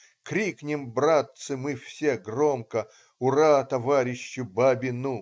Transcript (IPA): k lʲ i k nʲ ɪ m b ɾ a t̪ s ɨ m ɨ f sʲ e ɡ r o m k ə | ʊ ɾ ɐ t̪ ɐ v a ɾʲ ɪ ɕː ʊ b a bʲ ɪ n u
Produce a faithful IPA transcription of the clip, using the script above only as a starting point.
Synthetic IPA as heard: k ɾʲ i k nʲ ɪ m b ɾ a t̪ s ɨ m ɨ f sʲ e ɡ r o m k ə | ʊ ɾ a t̪ ɐ v a ɾʲ ɪ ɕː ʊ b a bʲ ɪ n u